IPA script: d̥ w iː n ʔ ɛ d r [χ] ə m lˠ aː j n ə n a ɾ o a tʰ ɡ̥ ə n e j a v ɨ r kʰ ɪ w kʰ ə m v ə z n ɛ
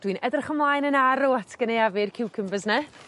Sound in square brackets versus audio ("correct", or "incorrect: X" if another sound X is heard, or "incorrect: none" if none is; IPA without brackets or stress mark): correct